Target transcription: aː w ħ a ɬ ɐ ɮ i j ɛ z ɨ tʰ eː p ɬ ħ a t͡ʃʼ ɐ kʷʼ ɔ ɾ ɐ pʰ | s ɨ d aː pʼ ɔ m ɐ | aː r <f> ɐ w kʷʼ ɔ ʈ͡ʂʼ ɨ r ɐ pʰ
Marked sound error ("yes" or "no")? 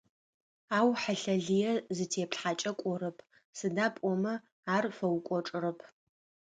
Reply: no